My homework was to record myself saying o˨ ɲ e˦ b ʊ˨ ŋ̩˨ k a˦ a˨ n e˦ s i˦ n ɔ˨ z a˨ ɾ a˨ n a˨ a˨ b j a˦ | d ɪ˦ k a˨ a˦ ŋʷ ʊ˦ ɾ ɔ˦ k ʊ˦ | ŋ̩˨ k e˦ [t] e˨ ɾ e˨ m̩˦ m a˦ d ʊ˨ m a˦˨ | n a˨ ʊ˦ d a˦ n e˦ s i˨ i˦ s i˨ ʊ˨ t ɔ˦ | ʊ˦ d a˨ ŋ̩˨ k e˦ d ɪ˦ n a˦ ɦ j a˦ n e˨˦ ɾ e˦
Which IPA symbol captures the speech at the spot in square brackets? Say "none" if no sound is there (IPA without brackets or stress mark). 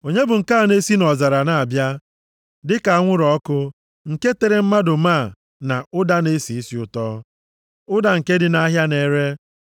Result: t